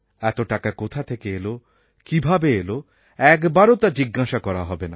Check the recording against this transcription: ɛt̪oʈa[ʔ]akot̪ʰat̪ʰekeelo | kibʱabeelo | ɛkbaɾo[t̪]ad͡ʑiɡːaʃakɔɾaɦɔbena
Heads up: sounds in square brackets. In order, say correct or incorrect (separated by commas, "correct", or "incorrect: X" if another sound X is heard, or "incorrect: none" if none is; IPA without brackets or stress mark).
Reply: incorrect: k, correct